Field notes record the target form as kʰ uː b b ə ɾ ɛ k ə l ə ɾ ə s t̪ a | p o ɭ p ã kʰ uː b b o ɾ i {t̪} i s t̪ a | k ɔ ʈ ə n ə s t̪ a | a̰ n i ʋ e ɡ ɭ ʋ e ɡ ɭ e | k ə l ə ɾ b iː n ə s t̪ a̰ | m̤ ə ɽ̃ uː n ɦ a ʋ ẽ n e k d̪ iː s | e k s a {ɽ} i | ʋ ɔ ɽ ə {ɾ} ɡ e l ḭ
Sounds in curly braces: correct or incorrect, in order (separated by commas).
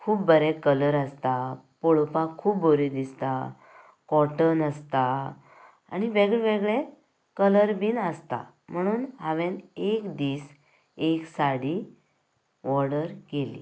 incorrect, correct, correct